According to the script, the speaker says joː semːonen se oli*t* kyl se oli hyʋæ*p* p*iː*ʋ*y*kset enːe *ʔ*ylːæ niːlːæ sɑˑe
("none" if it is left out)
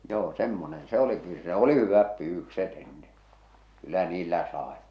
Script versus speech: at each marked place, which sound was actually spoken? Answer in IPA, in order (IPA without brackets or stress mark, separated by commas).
none, p, yː, y, k